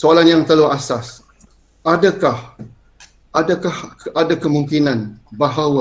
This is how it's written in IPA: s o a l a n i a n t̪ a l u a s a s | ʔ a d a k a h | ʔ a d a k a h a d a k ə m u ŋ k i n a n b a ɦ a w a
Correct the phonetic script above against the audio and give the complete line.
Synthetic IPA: s o a l a n j a ŋ t̪ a l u a s a s | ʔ a d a k a h | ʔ a d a k a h a d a k ə m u ŋ k i n a n b a ɦ a w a